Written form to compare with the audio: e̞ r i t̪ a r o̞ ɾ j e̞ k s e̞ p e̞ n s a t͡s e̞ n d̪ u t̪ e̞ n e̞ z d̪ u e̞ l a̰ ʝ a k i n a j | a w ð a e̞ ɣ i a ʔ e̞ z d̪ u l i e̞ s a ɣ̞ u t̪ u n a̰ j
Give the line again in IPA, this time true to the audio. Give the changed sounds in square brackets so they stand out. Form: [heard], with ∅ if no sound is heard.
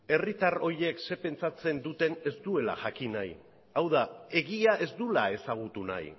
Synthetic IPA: e̞ r i t̪ a r o̞ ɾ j e̞ k s e̞ p e̞ n [t͡s] a t͡s e̞ n d̪ u t̪ e̞ n e̞ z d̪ u e̞ l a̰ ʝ a k i n a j | a w ð a e̞ ɣ i a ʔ e̞ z d̪ u l [a] e̞ s a ɣ̞ u t̪ u n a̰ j